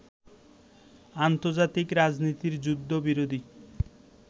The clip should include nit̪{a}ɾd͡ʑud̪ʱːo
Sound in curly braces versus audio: incorrect: i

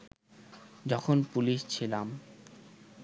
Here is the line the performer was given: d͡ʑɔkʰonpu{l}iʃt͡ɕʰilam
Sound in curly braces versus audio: correct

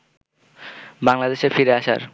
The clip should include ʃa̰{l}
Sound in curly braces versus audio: incorrect: ɾ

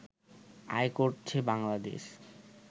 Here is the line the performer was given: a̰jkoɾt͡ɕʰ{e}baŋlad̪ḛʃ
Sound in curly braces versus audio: correct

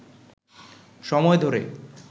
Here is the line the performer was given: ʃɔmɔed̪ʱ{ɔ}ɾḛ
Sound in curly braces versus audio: incorrect: o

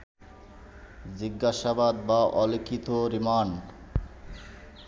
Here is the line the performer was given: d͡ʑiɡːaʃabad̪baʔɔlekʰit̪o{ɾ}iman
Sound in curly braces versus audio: correct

